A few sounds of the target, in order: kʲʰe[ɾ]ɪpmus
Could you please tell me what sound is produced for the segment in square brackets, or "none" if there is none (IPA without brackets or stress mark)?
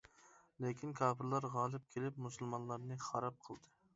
l